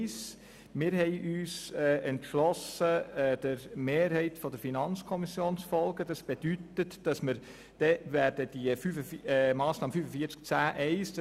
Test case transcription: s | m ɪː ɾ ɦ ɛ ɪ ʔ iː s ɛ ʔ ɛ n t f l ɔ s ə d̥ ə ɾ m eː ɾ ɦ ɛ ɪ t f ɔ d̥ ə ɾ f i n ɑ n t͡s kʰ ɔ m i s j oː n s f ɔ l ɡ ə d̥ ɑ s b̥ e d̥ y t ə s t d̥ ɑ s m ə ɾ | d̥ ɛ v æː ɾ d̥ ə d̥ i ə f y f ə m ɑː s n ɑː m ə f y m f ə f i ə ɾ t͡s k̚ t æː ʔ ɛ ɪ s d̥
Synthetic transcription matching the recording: s | m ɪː ɾ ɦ ɛ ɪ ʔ yː s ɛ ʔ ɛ n t ʃ l ɔ s ə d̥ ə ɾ m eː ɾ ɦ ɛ ɪ t f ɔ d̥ ə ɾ f i n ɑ n t͡s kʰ ɔ m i s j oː n s f ɔ l ɡ ə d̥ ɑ s b̥ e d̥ y t ə t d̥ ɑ s m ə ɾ | d̥ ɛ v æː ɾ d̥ ə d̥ i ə f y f ə m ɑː s n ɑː m ə f y f ə f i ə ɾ t͡s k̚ t͡s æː ʔ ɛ ɪ s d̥